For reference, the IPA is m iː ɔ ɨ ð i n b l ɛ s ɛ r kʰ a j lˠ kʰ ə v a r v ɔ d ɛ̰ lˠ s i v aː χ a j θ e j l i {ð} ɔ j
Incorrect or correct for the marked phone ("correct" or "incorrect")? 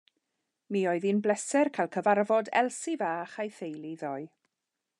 correct